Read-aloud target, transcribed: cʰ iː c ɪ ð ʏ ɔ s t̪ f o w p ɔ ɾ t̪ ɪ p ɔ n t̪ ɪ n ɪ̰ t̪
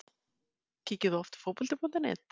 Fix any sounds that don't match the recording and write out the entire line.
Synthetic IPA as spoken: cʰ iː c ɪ ð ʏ ɔ f t̪ f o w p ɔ l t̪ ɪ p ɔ n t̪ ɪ n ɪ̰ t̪

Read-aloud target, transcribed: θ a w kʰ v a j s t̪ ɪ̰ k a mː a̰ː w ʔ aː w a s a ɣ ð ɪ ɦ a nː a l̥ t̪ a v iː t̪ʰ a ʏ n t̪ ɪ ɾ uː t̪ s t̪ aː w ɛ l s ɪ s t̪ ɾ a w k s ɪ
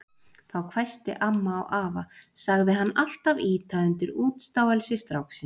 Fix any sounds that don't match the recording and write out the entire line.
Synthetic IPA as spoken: θ a w kʰ v a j s t̪ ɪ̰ ʔ a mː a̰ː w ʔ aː v a s a ɣ ð ɪ ɦ a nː a l̥ t̪ a v iː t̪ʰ a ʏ n t̪ ɪ ɾ uː t̪ s t̪ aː w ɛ l s ɪ s t̪ ɾ a w k s ɪ

